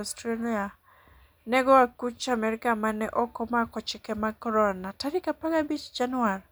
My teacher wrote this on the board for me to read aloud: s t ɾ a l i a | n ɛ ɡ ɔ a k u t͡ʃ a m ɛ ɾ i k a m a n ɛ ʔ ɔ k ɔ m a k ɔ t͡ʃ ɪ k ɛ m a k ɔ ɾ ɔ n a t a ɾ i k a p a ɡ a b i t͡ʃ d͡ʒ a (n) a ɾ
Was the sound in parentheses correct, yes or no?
yes